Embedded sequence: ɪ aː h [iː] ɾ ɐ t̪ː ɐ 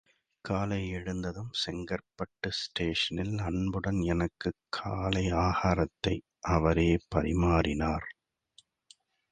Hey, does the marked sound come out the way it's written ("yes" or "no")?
no